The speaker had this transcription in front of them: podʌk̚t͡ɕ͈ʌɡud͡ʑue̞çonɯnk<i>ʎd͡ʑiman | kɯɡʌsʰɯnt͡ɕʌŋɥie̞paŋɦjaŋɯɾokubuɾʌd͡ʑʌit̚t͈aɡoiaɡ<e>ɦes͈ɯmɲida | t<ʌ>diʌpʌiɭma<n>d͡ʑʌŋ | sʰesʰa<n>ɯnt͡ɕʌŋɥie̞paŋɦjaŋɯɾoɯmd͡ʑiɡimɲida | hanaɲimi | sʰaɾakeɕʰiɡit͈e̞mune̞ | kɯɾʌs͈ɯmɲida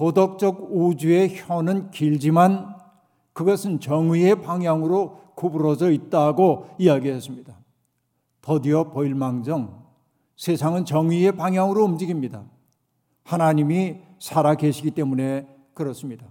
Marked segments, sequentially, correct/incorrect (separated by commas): correct, incorrect, correct, incorrect, incorrect